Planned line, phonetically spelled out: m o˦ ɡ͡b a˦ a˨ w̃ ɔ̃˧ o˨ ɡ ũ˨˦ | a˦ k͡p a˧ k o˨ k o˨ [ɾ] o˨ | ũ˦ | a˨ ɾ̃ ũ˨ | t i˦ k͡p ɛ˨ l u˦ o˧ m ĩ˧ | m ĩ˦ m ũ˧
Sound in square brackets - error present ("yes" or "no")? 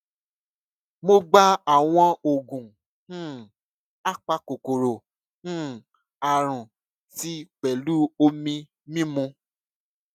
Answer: no